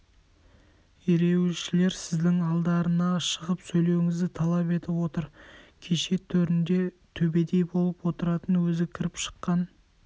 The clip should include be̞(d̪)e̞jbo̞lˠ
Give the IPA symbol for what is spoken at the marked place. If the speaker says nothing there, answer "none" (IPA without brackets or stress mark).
d̪